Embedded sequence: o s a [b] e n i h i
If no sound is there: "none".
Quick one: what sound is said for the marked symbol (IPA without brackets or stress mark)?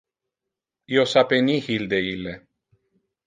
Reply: p